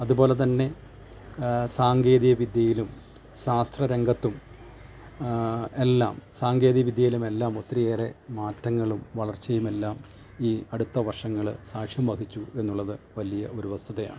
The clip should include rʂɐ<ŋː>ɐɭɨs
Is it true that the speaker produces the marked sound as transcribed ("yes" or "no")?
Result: yes